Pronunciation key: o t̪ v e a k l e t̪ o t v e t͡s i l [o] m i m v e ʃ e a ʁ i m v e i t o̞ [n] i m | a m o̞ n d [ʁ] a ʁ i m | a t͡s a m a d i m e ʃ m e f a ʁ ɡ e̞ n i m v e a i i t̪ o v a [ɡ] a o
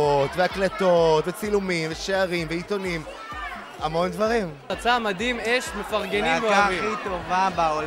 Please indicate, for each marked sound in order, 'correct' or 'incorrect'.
incorrect: u, correct, incorrect: v, incorrect: b

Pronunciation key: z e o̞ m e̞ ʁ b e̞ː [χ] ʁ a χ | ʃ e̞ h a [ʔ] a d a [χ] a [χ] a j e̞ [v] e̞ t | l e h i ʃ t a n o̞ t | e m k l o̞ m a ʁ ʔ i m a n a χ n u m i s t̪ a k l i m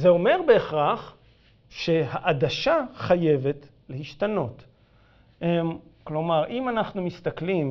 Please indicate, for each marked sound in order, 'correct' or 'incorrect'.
correct, correct, incorrect: ʃ, correct, correct

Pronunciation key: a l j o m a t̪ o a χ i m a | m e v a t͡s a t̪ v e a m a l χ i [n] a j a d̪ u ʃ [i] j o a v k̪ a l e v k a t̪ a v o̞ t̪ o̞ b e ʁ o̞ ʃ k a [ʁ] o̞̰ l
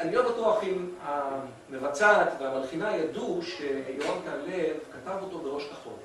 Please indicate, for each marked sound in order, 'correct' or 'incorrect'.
correct, incorrect: e, incorrect: χ

